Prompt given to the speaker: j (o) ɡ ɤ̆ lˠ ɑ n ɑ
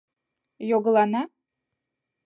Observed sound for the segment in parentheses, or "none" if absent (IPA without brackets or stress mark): o